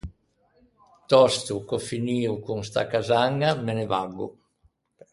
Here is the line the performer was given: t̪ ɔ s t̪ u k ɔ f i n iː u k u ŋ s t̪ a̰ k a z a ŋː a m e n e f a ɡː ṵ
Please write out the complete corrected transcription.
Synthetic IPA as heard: t̪ ɔ s t̪ u k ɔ f i n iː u k u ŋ s t̪ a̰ k a z a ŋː a m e n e v a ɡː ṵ